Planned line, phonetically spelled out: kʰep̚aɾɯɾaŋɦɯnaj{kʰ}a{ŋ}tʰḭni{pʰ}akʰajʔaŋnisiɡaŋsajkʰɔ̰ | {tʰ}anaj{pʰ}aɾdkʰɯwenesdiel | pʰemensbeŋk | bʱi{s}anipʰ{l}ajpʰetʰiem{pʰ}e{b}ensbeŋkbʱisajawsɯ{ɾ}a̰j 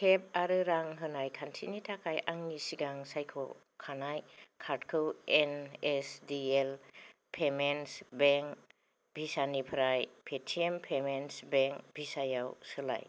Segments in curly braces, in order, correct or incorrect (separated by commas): correct, incorrect, incorrect, incorrect, incorrect, correct, incorrect, correct, incorrect, incorrect